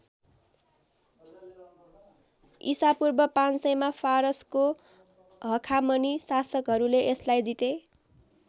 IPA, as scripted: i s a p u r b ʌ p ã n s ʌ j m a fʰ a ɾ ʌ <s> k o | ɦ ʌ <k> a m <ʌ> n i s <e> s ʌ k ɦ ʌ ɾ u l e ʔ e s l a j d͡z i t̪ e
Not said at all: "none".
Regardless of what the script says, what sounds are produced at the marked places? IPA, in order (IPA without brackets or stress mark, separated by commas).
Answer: s, kʰ, ʌ, a